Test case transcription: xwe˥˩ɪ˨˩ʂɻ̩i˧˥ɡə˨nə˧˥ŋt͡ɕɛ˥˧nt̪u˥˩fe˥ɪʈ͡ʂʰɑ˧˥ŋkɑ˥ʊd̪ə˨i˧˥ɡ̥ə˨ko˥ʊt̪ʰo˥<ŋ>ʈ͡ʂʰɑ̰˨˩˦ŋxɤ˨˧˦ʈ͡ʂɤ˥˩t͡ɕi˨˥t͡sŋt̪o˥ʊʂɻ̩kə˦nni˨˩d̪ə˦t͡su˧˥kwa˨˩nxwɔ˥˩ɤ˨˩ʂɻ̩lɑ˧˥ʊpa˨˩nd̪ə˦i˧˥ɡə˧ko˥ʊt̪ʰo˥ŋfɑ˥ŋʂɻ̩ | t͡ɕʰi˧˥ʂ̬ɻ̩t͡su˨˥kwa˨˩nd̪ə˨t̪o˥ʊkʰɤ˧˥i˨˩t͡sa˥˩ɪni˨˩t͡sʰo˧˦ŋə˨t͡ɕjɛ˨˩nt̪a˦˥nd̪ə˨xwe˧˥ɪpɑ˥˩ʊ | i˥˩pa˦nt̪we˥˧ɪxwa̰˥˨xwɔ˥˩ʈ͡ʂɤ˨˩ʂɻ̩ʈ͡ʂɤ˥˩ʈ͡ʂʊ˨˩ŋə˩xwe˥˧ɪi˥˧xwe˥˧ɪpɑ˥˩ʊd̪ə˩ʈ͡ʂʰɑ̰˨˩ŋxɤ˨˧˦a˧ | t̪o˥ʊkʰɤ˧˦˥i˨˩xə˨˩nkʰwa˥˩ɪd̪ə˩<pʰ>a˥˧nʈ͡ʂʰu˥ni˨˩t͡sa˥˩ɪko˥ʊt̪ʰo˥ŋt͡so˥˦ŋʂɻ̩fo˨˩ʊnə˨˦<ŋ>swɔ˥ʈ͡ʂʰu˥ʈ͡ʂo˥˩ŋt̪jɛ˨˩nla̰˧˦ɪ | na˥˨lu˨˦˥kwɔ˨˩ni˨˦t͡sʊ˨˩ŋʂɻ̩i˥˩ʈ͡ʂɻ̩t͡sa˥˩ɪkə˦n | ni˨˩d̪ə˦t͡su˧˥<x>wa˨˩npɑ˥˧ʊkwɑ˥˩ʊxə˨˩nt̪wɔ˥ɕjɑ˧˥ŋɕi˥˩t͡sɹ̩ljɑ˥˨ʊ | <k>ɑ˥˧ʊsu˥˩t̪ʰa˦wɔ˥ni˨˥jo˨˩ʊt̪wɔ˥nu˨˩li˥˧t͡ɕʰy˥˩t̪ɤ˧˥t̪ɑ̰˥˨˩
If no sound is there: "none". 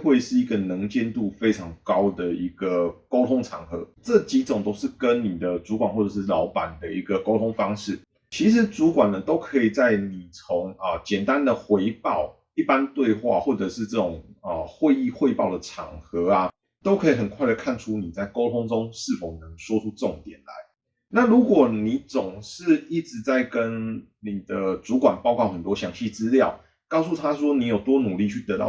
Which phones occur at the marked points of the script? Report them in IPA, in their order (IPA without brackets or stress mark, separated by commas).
ŋ, kʰ, ŋ, k, k